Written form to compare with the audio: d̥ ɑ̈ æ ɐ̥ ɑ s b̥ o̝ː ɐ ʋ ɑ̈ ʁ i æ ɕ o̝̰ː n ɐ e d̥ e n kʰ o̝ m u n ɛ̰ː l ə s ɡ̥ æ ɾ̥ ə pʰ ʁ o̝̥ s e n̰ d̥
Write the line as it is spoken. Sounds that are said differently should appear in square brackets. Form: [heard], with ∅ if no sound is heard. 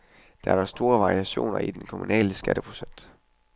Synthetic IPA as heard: d̥ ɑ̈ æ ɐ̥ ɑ s [d̥] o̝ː ɐ ʋ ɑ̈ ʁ i æ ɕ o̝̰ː n ɐ [i] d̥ e n kʰ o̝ m u n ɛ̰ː l ə s ɡ̥ æ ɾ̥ ə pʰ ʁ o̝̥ s e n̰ d̥